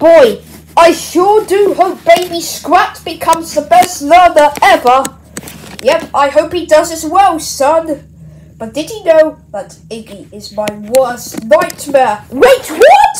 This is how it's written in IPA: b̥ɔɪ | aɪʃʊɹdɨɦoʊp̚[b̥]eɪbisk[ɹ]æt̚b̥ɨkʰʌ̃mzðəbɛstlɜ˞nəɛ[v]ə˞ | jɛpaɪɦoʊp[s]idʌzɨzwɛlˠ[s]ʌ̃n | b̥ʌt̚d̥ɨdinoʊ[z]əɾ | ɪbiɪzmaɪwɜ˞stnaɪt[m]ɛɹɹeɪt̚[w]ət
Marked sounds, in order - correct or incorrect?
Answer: correct, correct, correct, incorrect: h, correct, incorrect: ð, correct, correct

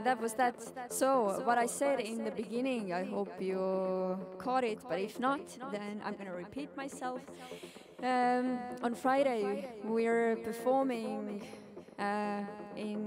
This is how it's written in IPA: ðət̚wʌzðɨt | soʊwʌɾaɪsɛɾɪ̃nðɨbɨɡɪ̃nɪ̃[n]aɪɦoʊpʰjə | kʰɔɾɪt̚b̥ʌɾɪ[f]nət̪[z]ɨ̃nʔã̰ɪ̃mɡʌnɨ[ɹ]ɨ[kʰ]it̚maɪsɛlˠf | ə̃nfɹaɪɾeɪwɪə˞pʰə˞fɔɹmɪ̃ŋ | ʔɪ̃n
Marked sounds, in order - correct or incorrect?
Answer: incorrect: ŋ, correct, incorrect: ð, correct, incorrect: pʰ

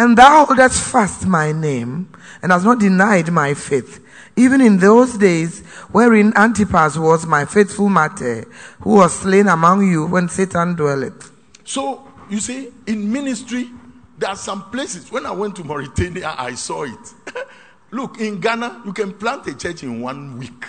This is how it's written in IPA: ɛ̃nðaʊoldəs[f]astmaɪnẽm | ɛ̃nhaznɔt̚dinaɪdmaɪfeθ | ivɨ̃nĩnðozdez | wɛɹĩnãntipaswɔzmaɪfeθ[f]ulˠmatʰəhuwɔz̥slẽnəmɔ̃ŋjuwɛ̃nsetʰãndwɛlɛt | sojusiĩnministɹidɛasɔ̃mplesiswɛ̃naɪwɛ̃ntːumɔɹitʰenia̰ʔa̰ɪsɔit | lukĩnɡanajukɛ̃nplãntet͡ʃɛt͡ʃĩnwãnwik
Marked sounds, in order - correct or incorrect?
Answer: correct, correct

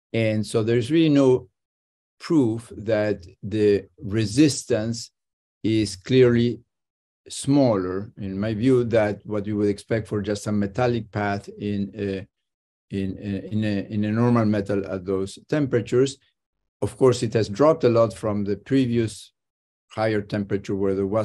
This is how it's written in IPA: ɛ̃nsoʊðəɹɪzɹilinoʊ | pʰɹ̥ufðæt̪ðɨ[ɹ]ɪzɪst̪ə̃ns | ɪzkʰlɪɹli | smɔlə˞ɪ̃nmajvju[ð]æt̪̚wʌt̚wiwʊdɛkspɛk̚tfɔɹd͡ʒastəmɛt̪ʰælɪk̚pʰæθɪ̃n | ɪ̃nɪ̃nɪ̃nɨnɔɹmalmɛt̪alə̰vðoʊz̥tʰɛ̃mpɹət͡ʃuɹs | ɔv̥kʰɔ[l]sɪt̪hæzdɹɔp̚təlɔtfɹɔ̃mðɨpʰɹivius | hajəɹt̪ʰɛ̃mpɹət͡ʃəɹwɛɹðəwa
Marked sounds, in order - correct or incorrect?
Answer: correct, correct, incorrect: ɹ

